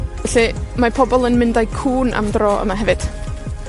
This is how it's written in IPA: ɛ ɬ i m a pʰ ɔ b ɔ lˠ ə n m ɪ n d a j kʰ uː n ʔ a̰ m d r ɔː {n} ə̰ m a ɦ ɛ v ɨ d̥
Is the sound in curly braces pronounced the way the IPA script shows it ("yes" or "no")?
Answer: no